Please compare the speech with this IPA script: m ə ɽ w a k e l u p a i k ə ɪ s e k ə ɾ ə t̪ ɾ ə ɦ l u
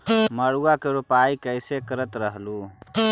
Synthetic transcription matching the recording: m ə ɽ u a k e ɾ u p a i k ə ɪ s e k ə ɾ ə t̪ ɾ ə ɦ l u